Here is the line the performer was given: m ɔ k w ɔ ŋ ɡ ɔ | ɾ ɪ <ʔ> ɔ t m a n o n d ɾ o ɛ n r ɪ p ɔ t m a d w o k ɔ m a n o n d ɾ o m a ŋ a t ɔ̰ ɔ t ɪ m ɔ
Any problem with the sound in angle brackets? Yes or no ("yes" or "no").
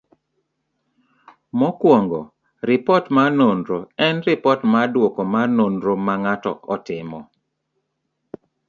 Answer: yes